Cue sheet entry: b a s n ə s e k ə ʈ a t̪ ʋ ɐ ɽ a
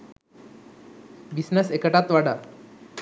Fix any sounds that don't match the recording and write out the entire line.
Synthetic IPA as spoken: b i s n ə s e k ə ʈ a t̪ ʋ a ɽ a